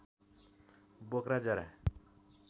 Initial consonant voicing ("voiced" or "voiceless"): voiced